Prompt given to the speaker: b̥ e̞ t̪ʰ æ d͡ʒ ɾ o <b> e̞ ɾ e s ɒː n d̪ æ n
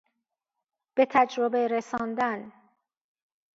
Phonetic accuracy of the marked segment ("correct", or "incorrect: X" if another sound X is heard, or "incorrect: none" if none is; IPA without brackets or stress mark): correct